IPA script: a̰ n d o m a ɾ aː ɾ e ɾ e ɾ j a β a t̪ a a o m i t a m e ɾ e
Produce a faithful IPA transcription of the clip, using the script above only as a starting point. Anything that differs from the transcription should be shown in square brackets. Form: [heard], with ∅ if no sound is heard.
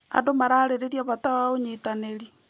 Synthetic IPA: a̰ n d o m a ɾ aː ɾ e ɾ e ɾ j a β a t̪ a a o [ɲ] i t a [n] e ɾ [i]